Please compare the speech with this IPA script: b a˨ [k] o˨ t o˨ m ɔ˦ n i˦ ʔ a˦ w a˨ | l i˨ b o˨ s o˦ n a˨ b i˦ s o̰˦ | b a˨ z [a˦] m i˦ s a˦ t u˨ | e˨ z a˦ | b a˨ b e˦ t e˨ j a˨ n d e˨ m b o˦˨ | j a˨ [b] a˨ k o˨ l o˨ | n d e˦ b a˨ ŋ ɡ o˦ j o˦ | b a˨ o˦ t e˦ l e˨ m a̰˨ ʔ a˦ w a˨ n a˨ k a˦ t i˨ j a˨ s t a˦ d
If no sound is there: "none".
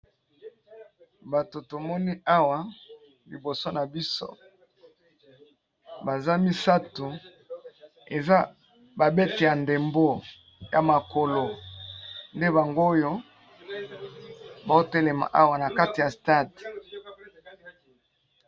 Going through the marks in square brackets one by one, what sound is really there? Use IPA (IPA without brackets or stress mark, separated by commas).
t, a˦, m